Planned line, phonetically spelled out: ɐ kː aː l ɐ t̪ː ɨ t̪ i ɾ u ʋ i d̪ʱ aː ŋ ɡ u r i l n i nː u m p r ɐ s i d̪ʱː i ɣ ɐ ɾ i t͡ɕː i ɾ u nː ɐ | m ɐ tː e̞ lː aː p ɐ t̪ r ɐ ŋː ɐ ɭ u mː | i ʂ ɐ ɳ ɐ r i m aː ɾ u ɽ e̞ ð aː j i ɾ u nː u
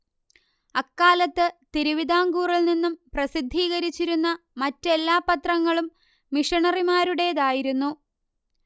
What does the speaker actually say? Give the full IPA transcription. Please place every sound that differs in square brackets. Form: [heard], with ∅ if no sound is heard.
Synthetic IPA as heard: ɐ kː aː l ɐ t̪ː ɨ t̪ i ɾ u ʋ i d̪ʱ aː ŋ ɡ [uː] r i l n i nː u m p r ɐ s i d̪ʱː [iː] ɣ ɐ ɾ i t͡ɕː i ɾ u nː ɐ | m ɐ tː e̞ lː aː p ɐ t̪ r ɐ ŋː ɐ ɭ u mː | i ʂ ɐ ɳ ɐ r i m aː ɾ u ɽ e̞ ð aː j i ɾ u nː u